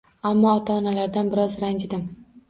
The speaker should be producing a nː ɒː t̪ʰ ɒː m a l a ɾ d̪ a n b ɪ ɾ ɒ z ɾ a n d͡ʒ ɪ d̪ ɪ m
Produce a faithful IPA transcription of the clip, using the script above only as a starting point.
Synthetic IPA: a mː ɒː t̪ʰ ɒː n a l a ɾ d̪ a n b ɪ ɾ ɒ z ɾ a n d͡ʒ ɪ d̪ ɪ m